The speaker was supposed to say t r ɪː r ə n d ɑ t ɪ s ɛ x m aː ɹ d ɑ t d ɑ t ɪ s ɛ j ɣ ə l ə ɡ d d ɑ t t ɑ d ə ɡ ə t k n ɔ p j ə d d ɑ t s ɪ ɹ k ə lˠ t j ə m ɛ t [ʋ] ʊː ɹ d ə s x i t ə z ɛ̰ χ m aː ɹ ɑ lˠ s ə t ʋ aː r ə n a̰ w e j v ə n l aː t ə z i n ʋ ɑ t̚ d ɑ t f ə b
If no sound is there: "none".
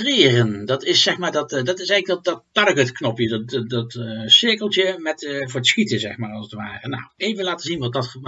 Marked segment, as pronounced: v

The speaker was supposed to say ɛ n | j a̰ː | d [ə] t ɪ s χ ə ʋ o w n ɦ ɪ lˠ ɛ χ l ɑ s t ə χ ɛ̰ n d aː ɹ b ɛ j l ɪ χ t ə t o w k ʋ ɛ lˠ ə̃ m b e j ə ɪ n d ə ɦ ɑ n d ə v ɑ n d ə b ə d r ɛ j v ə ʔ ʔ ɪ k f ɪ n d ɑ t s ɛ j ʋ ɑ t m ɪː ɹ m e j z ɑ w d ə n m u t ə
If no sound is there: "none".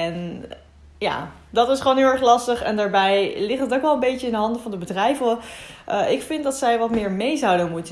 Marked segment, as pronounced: ɑ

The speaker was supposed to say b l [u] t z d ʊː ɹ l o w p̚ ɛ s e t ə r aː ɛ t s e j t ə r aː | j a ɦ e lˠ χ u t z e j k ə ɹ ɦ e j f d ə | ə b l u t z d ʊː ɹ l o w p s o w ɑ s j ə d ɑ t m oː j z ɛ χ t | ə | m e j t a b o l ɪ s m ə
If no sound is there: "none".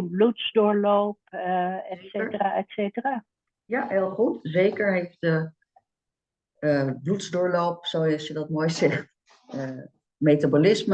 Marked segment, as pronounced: u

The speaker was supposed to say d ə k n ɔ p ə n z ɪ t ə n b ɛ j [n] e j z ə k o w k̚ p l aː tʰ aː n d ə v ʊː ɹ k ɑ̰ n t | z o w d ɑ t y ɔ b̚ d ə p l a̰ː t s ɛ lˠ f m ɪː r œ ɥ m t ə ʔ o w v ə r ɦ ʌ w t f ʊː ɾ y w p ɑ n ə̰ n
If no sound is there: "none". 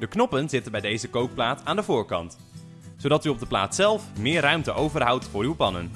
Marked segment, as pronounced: d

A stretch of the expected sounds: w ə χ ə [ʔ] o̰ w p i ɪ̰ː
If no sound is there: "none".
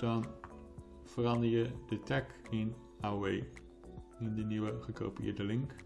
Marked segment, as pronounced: k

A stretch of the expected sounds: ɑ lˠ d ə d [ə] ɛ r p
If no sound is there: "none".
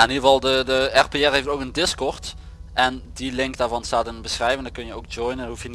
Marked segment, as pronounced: ə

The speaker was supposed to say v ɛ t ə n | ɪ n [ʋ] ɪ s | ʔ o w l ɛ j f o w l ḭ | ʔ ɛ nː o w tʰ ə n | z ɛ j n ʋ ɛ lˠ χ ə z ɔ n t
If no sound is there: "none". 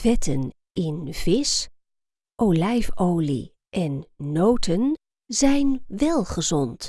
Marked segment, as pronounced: v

